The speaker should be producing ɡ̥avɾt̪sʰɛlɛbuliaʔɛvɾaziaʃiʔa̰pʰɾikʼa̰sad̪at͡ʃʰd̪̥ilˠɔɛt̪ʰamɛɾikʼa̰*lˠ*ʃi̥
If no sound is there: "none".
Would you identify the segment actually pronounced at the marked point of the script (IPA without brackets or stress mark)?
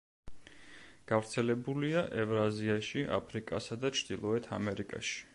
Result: none